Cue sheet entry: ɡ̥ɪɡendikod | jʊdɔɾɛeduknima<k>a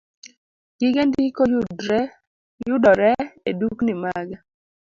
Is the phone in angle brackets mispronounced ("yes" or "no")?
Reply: yes